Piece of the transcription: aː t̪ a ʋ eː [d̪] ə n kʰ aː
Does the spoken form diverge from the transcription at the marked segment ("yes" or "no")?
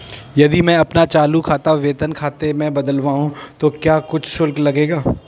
yes